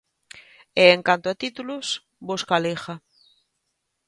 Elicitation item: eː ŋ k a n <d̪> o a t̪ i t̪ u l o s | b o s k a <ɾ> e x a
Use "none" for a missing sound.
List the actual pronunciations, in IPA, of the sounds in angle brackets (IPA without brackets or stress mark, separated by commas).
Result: t̪, l